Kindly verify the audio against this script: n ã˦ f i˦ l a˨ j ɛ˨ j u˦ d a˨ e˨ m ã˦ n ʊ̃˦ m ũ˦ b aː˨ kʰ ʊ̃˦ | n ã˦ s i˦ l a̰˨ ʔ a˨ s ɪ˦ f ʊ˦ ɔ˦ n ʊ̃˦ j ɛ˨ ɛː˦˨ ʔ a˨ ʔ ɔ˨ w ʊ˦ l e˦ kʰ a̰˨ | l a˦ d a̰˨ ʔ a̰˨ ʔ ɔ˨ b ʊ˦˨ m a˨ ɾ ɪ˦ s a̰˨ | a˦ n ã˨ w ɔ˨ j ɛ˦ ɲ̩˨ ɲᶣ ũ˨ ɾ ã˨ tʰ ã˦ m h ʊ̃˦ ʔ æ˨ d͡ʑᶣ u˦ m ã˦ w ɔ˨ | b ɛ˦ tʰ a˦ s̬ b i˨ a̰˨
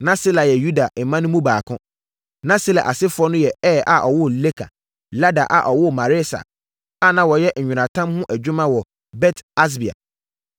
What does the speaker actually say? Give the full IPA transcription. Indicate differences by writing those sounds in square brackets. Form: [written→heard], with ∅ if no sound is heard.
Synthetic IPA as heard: n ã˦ [f→s] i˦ l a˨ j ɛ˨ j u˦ d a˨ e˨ m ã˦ n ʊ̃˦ m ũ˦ b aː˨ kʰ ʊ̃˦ | n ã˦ s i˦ l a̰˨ ʔ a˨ s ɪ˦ f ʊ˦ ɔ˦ n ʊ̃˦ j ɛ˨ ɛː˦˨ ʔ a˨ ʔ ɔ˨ w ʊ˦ l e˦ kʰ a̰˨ | l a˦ d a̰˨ ʔ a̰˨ ʔ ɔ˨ [b→w] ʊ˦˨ m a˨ ɾ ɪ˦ s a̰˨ | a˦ n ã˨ w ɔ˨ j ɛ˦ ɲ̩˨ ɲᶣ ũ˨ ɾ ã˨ tʰ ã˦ m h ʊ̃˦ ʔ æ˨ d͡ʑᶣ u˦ m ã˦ w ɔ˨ | b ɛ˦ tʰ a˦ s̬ b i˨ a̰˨

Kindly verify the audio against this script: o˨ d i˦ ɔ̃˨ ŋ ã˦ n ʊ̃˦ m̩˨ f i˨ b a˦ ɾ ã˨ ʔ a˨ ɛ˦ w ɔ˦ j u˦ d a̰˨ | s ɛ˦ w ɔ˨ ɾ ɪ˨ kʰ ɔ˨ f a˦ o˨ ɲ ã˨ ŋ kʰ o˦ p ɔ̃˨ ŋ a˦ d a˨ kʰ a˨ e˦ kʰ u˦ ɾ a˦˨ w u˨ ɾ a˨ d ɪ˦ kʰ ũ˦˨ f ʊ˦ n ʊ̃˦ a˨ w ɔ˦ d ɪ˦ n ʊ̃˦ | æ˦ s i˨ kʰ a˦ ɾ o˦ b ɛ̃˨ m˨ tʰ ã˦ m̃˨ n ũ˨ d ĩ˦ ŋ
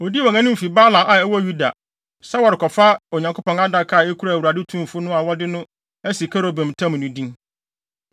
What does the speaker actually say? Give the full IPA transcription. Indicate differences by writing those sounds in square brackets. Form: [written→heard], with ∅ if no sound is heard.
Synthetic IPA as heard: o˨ d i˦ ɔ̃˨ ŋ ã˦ n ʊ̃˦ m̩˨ f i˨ b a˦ [ɾ→l] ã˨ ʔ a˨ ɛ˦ w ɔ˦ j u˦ d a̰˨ | s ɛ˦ w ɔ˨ ɾ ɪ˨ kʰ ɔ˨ f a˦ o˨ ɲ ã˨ ŋ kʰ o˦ p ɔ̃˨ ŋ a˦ d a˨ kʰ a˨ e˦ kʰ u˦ ɾ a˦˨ w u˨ ɾ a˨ d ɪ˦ [kʰ→tʰ] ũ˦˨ f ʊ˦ n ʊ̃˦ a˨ w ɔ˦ d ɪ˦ n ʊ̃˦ | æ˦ s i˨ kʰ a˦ ɾ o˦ b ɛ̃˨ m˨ tʰ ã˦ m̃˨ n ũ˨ d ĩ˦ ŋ

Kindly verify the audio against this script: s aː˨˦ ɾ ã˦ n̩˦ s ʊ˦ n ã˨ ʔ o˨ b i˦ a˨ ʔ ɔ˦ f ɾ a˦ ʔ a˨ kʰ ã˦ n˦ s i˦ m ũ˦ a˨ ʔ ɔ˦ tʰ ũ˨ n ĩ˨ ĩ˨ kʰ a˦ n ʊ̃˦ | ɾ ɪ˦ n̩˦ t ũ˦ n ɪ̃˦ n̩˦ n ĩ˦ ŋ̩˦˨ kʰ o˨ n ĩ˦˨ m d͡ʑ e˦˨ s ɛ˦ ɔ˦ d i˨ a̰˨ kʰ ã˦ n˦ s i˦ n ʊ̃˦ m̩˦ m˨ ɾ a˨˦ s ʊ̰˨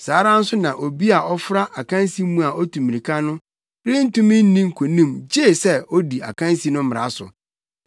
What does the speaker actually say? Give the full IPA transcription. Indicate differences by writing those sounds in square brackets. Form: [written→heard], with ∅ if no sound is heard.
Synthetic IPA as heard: s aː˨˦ ɾ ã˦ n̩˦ s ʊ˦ n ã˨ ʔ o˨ b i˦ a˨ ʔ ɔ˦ f ɾ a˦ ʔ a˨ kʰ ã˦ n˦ s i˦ m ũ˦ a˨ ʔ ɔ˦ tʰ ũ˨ [n→m] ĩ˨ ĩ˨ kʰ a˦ n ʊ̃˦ | ɾ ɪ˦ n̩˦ t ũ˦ [n→m] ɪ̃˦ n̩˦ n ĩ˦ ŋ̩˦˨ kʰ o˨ n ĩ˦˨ m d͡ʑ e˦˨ s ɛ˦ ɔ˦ d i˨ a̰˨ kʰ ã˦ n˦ s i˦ n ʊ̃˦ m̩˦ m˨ ɾ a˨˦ s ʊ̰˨

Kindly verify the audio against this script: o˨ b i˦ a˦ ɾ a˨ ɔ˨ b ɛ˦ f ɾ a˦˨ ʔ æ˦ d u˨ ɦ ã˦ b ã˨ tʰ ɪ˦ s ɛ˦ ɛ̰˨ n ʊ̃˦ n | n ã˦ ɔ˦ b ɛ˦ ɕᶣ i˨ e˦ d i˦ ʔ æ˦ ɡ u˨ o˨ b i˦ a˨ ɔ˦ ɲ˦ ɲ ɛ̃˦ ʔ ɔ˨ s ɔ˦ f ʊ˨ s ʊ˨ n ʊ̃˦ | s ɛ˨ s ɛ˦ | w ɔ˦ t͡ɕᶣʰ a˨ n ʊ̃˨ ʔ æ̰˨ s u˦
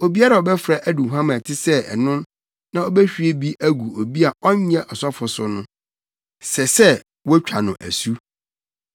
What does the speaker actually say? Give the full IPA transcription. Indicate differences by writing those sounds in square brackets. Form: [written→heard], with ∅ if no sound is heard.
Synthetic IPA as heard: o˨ b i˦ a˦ ɾ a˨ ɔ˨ b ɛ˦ f ɾ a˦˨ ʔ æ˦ d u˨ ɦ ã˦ [b→m] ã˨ tʰ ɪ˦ s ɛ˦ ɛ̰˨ n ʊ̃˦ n | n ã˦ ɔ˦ b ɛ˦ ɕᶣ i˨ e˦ [d→b] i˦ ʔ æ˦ ɡ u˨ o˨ b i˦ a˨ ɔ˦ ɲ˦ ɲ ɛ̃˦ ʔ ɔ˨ s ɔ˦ f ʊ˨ s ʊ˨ n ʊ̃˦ | s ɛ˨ s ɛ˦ | w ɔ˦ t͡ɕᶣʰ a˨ n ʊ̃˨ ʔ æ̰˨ s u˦

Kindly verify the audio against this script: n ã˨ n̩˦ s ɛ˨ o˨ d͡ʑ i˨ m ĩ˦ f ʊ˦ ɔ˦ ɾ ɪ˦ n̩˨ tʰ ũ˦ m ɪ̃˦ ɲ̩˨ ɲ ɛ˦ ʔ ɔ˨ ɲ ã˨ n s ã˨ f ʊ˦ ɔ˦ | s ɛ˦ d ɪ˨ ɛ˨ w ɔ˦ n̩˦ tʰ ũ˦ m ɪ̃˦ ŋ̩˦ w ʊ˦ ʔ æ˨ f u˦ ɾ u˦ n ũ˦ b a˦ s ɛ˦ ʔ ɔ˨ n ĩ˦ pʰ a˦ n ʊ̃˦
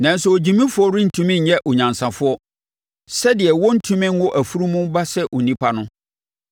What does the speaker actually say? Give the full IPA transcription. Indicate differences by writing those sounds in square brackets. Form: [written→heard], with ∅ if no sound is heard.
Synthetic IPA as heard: n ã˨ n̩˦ s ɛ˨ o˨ d͡ʑ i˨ m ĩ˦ f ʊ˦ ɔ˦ ɾ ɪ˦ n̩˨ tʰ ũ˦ m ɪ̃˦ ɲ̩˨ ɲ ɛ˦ ʔ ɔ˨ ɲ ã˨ n s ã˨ f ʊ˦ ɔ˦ | s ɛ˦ d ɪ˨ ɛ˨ w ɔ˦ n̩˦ tʰ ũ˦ m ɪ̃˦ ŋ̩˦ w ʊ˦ ʔ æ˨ f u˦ ɾ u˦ [n→m] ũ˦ b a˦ s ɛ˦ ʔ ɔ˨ n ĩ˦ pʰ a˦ n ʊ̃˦

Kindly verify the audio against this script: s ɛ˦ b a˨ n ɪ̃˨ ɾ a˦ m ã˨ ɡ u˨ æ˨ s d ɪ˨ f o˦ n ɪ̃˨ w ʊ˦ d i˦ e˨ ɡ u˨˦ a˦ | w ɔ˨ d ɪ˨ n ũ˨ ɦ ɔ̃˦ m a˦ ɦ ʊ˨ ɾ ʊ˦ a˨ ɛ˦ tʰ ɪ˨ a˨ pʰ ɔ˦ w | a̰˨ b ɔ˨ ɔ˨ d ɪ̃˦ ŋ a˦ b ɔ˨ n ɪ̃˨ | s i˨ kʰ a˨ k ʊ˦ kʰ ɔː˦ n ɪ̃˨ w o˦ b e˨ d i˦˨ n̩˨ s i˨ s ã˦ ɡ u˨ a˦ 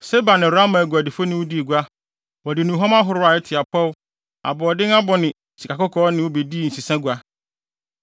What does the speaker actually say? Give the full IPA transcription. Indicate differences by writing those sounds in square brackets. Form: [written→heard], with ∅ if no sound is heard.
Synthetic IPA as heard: s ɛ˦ b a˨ n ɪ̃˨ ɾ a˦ m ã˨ ɡ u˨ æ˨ [s→∅] d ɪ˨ f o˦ n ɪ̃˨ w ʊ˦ d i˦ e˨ ɡ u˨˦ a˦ | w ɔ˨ d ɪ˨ n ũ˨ ɦ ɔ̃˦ m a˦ ɦ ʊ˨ ɾ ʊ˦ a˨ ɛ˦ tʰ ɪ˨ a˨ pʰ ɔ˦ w | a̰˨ b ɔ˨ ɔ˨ d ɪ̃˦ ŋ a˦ b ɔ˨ n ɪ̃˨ | s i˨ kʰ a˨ k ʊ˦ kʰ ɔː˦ n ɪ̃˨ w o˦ b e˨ d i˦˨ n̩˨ s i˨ s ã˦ ɡ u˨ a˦

